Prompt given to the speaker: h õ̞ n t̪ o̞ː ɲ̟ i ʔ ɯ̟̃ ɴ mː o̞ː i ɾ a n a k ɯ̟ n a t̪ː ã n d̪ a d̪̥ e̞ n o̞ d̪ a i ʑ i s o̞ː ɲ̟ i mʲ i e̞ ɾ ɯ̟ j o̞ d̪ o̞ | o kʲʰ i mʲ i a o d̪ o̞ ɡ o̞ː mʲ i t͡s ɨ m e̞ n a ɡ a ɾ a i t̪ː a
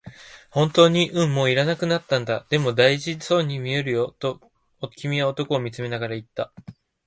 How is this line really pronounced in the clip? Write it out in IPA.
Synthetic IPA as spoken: h õ̞ n t̪ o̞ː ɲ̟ i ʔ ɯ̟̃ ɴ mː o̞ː i ɾ a n a k ɯ̟ n a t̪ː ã n d̪ a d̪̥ e̞ m o̞ d̪ a i ʑ i s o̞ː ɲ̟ i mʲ i e̞ ɾ ɯ̟ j o̞ t̪ o̞ | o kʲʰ i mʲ i a o t̪ o̞ k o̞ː mʲ i t͡s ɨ m e̞ n a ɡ a ɾ a i t̪ː a

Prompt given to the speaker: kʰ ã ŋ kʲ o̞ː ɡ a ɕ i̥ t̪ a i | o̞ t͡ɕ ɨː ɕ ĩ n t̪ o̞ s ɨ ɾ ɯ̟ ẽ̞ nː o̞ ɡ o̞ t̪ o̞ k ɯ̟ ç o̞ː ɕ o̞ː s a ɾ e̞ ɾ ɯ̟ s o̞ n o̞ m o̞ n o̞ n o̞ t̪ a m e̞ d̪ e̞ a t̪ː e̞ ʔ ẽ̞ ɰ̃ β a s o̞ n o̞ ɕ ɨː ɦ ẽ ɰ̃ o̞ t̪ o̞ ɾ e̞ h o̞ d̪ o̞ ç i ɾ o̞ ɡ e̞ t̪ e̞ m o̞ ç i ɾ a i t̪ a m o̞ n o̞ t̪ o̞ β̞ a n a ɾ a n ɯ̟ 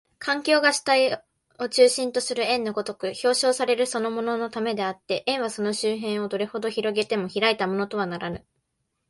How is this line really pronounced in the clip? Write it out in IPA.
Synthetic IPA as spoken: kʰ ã ŋ kʲ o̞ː ɡ a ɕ i̥ t̪ a i | o̞ t͡ɕ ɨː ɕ ĩ n t̪ o̞ s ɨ ɾ ɯ̟ ẽ̞ nː o̞ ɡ o̞ t̪ o̞ k ɯ̟ ç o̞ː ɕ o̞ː s a ɾ e̞ ɾ ɯ̟ s o̞ n o̞ m o̞ n o̞ n o̞ t̪ a m e̞ d̪ e̞ a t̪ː e̞ ʔ ẽ̞ ɰ̃ β a s o̞ n o̞ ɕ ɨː ɦ ẽ ɰ̃ o̞ d̪ o̞ ɾ e̞ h o̞ d̪ o̞ ç i ɾ o̞ ɡ e̞ t̪ e̞ m o̞ ç i ɾ a i t̪ a m o̞ n o̞ t̪ o̞ β̞ a n a ɾ a n ɯ̟

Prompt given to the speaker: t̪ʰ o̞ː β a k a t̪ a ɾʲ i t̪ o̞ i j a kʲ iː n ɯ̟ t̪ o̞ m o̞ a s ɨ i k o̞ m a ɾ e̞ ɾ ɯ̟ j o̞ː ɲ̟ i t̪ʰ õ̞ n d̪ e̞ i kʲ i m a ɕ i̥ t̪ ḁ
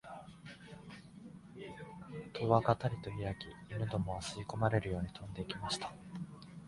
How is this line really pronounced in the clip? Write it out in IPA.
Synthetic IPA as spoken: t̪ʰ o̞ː β a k a t̪ a ɾʲ i t̪ o̞ i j a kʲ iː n ɯ̟ d̪ o̞ m o̞ a s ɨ i k o̞ m a ɾ e̞ ɾ ɯ̟ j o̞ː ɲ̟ i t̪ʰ õ̞ n d̪ e̞ i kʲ i m a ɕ i̥ t̪ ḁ

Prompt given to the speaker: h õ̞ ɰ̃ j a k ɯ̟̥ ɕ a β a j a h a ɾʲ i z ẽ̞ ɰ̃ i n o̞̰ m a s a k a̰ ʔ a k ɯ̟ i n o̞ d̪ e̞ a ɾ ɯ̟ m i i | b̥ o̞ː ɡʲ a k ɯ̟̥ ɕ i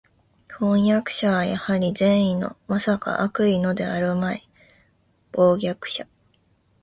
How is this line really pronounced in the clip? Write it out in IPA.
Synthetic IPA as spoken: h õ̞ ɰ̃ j a k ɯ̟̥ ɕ a β a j a h a ɾʲ i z ẽ̞ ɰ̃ i n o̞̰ m a s a k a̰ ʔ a k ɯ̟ i n o̞ d̪ e̞ a ɾ ɯ̟ m a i | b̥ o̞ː ɡʲ a k ɯ̟̥ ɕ a

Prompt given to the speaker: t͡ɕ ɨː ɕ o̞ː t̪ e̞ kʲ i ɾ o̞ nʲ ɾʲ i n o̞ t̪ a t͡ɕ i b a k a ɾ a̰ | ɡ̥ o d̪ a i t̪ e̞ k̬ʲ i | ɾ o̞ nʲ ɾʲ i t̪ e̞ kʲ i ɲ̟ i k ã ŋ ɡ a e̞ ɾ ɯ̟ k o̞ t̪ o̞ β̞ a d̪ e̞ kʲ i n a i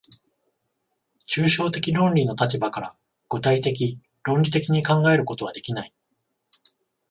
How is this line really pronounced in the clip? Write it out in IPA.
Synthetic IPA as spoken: t͡ɕ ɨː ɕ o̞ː t̪ e̞ kʲ i ɾ õ̞ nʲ ɾʲ i n o̞ t̪ a t͡ɕ i b a k a ɾ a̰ | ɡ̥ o t̪ a i t̪ e̞ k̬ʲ i | ɾ õ̞ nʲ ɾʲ i t̪ e̞ kʲ i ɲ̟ i k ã ŋ ɡ a e̞ ɾ ɯ̟ k o̞ t̪ o̞ β̞ a d̪ e̞ kʲ i n a i

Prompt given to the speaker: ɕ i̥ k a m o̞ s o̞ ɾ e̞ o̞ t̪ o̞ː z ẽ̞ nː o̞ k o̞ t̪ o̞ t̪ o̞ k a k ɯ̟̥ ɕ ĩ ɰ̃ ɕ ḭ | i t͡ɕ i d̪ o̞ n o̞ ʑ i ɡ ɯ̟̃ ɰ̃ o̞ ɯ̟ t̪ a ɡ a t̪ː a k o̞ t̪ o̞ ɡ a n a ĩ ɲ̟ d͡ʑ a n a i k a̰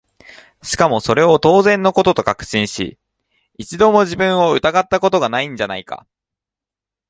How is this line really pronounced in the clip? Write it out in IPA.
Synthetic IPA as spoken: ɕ i̥ k a m o̞ s o̞ ɾ e̞ o̞ t̪ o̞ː z ẽ̞ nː o̞ k o̞ t̪ o̞ t̪ o̞ k a k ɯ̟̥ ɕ ĩ ɰ̃ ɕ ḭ | i t͡ɕ i d̪ o̞ m o̞ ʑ i b ɯ̟̃ ɰ̃ o̞ ɯ̟ t̪ a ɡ a t̪ː a k o̞ t̪ o̞ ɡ a n a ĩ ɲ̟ d͡ʑ a n a i k a̰

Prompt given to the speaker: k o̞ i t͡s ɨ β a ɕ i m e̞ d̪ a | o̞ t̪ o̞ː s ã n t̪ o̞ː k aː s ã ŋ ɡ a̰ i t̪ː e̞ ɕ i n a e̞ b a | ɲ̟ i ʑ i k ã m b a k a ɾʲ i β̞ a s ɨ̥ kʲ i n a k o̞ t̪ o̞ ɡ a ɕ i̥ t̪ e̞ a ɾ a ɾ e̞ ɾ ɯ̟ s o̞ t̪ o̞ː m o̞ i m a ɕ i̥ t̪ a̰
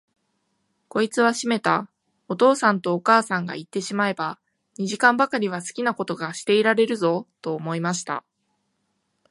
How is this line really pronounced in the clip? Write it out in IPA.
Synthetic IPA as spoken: k o̞ i t͡s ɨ β a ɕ i m e̞ t̪ a | o̞ t̪ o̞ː s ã n t̪ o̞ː k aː s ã ŋ ɡ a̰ i t̪ː e̞ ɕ i m a e̞ b a | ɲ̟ i ʑ i k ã m b a k a ɾʲ i β̞ a s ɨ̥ kʲ i n a k o̞ t̪ o̞ ɡ a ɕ i̥ t̪ e̞ i ɾ a ɾ e̞ ɾ ɯ̟ z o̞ t̪ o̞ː m o̞ i m a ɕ i̥ t̪ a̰

